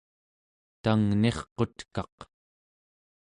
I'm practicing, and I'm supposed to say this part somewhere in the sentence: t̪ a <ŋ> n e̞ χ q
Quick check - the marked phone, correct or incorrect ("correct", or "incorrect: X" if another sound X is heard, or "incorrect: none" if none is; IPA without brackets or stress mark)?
correct